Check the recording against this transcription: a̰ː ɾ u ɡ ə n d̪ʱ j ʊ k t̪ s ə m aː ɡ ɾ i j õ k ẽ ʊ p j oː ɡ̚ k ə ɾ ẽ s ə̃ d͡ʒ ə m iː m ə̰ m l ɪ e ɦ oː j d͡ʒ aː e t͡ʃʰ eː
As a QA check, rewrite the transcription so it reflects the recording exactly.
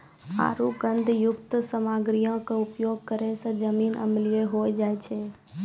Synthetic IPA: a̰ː ɾ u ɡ ə n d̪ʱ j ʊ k t̪ s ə m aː ɡ ɾ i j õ k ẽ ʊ p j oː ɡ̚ k ə ɾ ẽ s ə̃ d͡ʒ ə m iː n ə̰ m l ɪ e ɦ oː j d͡ʒ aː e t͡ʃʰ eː